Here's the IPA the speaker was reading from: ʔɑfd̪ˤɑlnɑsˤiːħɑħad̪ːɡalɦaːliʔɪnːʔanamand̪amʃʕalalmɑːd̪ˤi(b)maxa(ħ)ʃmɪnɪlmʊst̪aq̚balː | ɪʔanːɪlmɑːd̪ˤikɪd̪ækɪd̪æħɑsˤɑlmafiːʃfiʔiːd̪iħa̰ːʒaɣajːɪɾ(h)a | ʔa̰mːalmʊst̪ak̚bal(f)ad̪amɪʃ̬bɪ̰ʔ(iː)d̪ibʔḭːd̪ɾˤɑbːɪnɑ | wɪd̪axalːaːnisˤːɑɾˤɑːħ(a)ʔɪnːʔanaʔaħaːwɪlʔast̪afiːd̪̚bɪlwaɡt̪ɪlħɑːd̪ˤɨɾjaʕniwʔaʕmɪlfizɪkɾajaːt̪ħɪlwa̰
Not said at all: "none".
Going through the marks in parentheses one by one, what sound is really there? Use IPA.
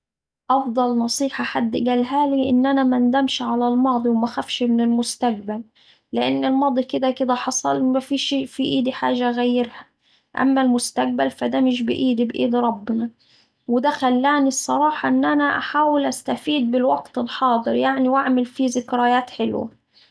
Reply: w, f, h, f, iː, ɑ

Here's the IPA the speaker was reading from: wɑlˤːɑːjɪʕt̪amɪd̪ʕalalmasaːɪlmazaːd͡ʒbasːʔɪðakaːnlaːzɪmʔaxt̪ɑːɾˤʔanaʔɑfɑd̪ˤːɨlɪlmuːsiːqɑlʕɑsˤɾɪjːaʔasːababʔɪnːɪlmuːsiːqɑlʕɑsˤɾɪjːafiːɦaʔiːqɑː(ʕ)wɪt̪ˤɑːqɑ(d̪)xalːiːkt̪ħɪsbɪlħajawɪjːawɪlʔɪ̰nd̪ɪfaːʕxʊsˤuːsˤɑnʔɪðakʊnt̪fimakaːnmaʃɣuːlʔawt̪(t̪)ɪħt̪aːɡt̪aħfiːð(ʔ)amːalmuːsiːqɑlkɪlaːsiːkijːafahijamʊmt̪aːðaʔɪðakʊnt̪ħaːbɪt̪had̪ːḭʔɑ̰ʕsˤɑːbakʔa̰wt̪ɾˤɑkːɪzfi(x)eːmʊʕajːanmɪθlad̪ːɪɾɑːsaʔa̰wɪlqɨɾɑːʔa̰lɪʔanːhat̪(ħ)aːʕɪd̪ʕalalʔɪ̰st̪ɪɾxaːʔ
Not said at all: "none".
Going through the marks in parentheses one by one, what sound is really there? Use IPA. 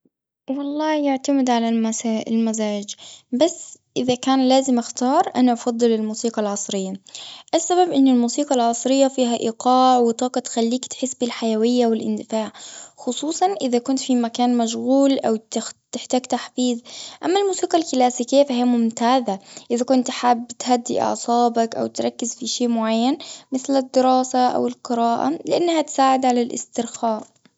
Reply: ʕ, t̪, t̪, ʔ, ʃ, s

